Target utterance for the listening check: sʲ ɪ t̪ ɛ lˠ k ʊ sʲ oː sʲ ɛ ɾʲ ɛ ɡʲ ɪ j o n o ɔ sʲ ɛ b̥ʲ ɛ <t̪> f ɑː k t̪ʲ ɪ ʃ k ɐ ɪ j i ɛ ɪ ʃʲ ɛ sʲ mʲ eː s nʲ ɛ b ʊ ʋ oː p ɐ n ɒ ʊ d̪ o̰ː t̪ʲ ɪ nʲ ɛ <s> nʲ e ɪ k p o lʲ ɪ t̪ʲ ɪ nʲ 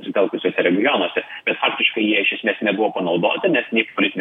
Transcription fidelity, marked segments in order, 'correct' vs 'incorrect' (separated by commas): correct, correct